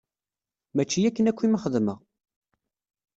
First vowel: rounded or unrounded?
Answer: unrounded